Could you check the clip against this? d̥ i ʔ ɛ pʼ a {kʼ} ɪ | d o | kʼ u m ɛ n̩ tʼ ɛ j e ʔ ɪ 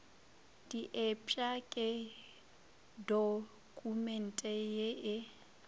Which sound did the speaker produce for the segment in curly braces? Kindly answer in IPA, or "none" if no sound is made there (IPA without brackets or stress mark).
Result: kʼ